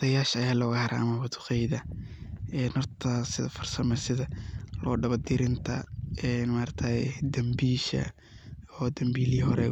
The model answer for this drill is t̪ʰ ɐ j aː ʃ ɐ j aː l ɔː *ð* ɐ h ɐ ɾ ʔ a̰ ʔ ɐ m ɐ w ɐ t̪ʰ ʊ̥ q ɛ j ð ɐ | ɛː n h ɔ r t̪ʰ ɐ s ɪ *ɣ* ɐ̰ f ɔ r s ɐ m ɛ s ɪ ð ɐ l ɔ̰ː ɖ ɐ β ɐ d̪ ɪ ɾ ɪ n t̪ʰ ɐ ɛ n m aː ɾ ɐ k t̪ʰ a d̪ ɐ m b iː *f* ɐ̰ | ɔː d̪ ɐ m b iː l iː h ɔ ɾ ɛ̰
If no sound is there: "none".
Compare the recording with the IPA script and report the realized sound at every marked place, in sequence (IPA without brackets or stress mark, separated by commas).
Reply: ɣ, ð, ʃ